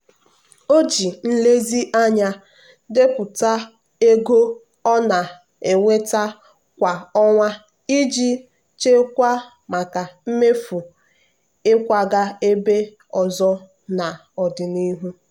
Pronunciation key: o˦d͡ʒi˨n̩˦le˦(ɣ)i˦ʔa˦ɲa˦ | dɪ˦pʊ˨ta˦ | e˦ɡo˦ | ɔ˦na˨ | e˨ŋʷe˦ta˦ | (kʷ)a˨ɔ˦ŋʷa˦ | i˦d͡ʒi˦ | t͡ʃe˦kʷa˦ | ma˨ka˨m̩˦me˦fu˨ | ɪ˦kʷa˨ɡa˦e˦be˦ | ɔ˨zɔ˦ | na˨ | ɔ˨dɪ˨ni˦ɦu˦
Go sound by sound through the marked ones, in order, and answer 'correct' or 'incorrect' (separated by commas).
incorrect, correct